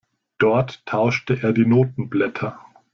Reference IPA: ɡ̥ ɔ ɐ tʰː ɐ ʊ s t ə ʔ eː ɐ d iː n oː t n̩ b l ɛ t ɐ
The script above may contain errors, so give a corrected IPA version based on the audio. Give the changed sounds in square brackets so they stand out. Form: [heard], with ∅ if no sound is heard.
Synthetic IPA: [d̥] ɔ ɐ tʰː [a] ʊ [ʃ] t ə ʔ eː ɐ d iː n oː t n̩ b l ɛ [tʰ] ɐ